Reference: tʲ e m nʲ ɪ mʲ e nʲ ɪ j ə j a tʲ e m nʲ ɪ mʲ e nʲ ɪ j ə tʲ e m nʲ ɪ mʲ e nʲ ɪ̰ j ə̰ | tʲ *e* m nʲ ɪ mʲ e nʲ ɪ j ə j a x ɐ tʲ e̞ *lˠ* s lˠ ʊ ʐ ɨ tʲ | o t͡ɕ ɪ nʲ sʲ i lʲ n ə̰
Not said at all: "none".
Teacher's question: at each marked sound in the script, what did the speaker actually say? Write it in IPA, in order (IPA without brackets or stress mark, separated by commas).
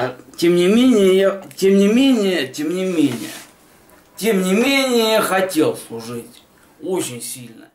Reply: e, lˠ